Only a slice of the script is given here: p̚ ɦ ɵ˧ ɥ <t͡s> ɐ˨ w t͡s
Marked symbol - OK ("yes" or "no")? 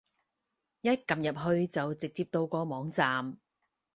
yes